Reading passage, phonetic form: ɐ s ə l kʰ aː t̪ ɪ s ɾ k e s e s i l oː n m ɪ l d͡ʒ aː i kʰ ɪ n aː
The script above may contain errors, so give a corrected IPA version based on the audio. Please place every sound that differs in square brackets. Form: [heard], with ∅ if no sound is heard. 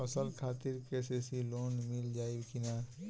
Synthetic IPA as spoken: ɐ s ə l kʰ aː t̪ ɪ [∅] ɾ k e s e s i l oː n m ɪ l d͡ʒ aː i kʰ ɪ n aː